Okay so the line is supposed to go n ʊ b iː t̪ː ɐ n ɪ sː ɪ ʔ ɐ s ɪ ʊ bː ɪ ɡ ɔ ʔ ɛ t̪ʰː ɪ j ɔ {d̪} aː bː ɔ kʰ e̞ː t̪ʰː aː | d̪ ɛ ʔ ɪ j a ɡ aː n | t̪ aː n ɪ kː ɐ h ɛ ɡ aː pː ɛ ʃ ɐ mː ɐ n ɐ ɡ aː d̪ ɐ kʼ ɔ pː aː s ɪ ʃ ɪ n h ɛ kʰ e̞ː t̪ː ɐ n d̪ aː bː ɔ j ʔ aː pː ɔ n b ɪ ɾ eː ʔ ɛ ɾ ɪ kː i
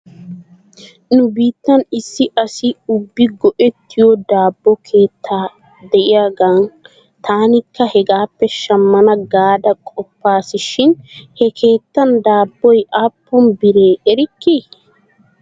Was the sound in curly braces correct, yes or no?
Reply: yes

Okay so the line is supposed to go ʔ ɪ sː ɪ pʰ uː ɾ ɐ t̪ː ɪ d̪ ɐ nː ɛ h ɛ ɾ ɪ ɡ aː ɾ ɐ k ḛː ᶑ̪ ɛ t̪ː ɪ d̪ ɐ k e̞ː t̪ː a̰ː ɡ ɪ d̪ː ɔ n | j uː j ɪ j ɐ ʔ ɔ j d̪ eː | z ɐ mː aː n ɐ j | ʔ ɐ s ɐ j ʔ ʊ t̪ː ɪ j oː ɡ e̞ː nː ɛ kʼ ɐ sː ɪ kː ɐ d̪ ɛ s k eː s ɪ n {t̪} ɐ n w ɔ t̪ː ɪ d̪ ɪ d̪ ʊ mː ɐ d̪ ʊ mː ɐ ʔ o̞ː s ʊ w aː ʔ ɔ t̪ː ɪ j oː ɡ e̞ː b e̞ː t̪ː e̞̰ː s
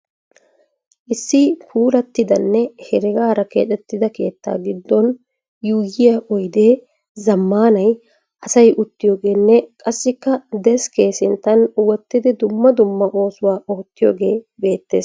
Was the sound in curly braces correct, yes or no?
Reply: yes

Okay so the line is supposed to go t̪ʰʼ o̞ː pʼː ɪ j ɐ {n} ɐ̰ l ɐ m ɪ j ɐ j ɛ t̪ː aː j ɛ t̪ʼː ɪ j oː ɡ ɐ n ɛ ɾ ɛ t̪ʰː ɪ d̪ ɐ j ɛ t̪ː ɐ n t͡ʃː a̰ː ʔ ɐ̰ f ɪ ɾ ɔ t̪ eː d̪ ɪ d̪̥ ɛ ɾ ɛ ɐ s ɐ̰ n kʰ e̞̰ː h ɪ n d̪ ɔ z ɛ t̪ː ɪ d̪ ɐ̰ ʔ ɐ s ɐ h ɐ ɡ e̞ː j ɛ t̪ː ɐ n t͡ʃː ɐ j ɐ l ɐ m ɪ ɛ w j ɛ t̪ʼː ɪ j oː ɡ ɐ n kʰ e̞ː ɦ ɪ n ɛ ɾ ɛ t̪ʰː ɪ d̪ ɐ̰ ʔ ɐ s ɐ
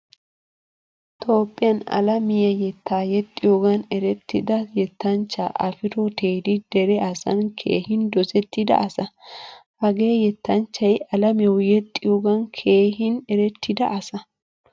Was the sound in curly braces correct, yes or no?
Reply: yes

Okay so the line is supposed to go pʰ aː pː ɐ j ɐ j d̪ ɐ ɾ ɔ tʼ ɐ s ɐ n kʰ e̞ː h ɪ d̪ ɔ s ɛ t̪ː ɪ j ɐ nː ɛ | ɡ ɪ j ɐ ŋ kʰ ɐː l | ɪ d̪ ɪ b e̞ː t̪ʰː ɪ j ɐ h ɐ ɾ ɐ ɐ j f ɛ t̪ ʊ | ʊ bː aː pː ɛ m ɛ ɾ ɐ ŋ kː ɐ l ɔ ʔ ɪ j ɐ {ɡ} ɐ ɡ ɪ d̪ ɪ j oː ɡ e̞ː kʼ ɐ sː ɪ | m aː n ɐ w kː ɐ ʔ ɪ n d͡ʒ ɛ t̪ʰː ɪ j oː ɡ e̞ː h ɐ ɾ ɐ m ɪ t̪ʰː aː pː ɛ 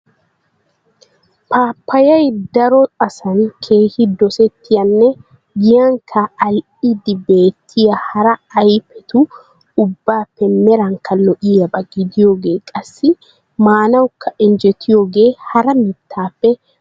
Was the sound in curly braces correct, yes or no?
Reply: no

